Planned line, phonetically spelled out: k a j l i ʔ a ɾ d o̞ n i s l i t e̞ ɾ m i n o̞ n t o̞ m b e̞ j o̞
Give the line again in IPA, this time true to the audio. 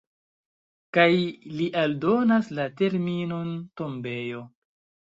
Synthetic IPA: k a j l i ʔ a l d o̞ n a s l a t e̞ ɾ m i n o̞ n t o̞ m b e̞ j o̞